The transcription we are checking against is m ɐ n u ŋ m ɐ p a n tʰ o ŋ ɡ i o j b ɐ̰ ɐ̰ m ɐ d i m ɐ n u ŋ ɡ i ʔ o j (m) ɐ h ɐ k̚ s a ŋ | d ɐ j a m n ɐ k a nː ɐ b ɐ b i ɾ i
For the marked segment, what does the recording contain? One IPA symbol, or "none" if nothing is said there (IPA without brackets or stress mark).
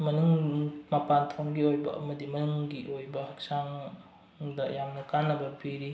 b